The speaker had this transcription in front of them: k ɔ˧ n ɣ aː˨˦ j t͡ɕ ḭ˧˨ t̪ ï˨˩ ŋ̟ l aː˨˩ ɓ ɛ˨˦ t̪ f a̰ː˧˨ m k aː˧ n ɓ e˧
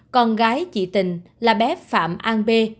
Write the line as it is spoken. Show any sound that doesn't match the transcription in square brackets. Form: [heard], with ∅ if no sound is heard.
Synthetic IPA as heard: k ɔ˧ n ɣ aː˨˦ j t͡ɕ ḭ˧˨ t̪ ï˨˩ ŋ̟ l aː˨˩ ɓ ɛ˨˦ [∅] f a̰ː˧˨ m [ʔ] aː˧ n ɓ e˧

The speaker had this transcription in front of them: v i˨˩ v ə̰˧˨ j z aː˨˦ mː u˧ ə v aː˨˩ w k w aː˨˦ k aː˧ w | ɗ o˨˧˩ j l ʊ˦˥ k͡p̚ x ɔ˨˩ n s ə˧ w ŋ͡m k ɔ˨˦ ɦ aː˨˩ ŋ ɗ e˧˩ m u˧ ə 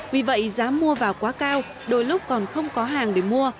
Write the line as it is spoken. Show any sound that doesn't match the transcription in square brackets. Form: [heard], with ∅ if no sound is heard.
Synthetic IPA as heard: v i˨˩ v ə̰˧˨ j z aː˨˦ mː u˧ ə v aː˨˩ w k w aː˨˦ k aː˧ w | ɗ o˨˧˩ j l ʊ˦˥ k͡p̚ [k] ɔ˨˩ n [x] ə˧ w ŋ͡m k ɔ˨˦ ɦ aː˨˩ ŋ ɗ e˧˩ m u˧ ə

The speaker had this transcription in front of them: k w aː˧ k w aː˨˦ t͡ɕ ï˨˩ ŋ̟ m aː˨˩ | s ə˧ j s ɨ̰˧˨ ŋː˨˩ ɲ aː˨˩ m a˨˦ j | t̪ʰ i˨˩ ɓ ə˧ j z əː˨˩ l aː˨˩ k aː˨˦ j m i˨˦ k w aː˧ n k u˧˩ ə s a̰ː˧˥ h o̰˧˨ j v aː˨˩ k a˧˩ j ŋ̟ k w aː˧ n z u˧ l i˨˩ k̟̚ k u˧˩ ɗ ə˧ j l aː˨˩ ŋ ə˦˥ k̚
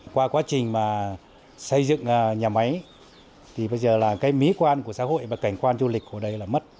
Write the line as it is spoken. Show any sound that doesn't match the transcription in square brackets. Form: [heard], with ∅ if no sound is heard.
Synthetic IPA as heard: k w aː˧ k w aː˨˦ t͡ɕ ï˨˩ ŋ̟ m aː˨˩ | s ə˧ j [z] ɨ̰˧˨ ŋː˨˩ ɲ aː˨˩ m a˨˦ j | t̪ʰ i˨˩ ɓ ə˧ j z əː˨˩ l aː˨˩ k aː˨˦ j m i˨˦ k w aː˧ n k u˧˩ ə s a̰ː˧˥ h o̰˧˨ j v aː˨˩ k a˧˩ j ŋ̟ k w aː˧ n z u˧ l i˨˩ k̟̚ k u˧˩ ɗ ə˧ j l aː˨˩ [m] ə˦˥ [t̚]

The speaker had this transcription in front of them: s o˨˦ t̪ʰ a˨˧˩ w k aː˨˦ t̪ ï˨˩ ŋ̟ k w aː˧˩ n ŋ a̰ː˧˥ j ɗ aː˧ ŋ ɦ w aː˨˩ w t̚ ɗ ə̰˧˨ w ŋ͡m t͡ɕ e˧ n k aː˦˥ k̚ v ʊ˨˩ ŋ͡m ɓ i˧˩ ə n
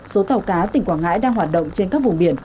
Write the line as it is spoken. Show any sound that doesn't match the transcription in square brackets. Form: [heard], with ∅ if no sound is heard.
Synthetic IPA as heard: s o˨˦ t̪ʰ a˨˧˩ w k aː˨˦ t̪ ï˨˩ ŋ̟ k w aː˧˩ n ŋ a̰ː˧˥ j ɗ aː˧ ŋ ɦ w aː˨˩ [∅] t̚ ɗ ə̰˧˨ w ŋ͡m t͡ɕ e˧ n k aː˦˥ k̚ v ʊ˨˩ ŋ͡m ɓ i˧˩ ə n

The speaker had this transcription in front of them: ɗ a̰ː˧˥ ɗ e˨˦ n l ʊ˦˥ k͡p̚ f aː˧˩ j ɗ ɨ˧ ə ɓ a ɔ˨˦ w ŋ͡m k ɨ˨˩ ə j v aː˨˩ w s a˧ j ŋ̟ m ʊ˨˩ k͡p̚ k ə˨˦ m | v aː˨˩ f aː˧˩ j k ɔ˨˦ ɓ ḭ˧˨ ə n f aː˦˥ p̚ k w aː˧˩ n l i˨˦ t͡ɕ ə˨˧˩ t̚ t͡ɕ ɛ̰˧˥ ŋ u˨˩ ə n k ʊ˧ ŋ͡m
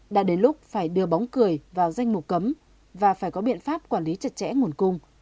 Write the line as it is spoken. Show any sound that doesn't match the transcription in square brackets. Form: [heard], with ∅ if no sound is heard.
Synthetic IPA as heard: ɗ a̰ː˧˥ ɗ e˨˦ n l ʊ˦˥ k͡p̚ f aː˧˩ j ɗ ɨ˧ ə ɓ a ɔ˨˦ w ŋ͡m k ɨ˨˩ ə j v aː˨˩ w [z] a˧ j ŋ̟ m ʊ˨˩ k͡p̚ k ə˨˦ m | v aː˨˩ f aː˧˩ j k ɔ˨˦ ɓ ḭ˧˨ ə n f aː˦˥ p̚ k w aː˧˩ n l i˨˦ t͡ɕ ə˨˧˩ t̚ t͡ɕ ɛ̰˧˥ ŋ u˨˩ ə n k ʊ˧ ŋ͡m

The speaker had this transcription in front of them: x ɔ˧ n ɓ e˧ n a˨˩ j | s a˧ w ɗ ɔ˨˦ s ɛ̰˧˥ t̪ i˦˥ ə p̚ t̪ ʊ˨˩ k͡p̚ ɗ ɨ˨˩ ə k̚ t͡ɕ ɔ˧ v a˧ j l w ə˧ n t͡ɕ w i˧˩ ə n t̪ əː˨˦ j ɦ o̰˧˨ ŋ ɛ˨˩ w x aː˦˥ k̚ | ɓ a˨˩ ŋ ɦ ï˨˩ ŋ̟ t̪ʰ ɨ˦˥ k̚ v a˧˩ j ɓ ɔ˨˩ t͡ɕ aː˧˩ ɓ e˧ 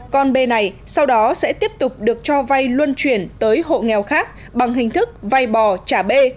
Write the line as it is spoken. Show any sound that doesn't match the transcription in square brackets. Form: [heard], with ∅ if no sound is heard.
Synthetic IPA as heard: [k] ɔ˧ n ɓ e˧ n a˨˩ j | s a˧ w ɗ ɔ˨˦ s ɛ̰˧˥ t̪ i˦˥ ə p̚ t̪ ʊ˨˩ k͡p̚ ɗ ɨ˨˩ ə k̚ t͡ɕ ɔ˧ v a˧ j l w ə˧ n t͡ɕ w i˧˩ ə n t̪ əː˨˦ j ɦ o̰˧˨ ŋ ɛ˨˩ w x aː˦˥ k̚ | ɓ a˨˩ ŋ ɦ ï˨˩ ŋ̟ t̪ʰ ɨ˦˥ k̚ v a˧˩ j ɓ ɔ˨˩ t͡ɕ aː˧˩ ɓ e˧

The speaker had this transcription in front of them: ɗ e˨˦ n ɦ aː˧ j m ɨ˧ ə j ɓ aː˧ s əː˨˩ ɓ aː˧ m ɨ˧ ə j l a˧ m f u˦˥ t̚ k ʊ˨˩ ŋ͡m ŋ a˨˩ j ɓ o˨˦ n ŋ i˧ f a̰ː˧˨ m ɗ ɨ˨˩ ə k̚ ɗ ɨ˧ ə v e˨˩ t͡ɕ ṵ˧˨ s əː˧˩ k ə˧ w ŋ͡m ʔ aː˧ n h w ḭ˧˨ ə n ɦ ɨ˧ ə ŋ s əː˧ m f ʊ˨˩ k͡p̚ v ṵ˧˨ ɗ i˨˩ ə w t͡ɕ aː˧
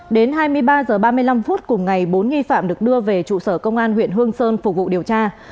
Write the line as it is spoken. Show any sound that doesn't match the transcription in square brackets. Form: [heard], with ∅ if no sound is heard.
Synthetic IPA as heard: ɗ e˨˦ n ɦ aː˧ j m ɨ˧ ə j ɓ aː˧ [z] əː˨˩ ɓ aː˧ m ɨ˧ ə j l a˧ m f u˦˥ t̚ k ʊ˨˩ ŋ͡m ŋ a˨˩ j ɓ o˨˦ n ŋ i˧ f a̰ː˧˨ m ɗ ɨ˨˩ ə k̚ ɗ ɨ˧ ə v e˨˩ t͡ɕ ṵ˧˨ s əː˧˩ k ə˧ w ŋ͡m ʔ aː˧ n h w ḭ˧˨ ə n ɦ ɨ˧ ə ŋ s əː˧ [n] f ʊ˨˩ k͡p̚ v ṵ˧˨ ɗ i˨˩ ə w t͡ɕ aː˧

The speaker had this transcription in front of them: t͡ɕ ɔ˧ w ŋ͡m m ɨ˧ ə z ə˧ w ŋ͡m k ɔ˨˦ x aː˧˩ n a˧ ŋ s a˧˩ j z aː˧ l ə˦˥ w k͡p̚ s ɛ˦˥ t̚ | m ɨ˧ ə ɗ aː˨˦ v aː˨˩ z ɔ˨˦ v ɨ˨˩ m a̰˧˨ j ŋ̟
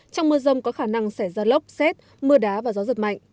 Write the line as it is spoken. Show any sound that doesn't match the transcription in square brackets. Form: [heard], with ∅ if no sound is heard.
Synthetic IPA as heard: t͡ɕ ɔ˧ w ŋ͡m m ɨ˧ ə z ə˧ w ŋ͡m k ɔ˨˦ x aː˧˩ n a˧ ŋ s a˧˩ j z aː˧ l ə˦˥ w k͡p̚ s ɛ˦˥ t̚ | m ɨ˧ ə ɗ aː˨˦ v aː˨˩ z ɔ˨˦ [z] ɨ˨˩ m a̰˧˨ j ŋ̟

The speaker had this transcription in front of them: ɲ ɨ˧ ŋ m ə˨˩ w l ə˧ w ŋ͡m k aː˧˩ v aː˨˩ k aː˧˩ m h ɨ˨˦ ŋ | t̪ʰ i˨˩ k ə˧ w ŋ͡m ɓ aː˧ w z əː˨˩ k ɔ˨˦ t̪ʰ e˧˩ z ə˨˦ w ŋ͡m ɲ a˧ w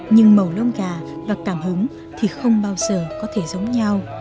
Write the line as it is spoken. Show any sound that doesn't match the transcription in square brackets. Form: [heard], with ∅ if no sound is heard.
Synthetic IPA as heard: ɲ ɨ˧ ŋ m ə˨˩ w l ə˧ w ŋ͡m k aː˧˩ v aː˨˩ k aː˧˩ m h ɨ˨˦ ŋ | t̪ʰ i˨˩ [x] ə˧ w ŋ͡m ɓ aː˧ w z əː˨˩ k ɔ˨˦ t̪ʰ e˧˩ z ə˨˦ w ŋ͡m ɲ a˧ w

